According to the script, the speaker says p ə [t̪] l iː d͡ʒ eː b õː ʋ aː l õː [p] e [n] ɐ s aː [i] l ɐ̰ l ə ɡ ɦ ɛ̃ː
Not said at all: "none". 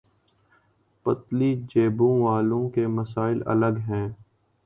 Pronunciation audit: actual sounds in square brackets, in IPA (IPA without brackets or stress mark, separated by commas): t̪, k, m, ɪ